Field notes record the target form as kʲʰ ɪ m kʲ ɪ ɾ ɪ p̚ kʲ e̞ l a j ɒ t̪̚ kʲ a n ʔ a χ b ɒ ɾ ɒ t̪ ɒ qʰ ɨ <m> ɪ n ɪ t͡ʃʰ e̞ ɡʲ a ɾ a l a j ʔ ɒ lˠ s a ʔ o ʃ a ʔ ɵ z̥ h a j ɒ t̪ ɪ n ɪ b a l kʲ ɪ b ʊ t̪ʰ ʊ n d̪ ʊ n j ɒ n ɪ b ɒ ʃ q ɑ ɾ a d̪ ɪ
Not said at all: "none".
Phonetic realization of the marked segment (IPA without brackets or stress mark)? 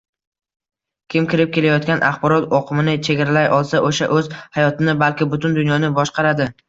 m